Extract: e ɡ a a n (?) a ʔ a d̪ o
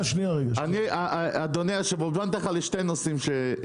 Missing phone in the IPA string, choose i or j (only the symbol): i